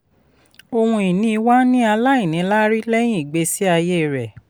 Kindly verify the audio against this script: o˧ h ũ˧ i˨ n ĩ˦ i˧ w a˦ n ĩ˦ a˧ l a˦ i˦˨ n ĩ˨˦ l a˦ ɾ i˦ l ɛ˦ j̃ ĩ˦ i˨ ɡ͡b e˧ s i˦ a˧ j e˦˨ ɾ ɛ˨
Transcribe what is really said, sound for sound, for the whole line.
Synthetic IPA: o˧ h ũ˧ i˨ n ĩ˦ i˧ w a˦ n ĩ˦ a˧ l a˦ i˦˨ n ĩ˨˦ l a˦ ɾ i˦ l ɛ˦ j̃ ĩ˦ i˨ ɡ͡b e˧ s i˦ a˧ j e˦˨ ɾ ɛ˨